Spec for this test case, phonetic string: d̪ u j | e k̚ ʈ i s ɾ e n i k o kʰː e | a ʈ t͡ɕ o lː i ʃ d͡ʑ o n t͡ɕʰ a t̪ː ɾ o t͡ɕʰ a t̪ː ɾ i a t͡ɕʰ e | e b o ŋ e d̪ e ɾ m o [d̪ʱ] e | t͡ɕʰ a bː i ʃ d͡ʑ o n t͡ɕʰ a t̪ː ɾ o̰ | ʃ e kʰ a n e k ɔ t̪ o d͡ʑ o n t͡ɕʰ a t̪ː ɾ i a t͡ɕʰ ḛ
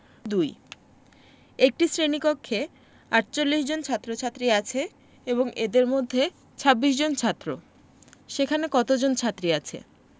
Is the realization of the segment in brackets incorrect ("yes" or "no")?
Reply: yes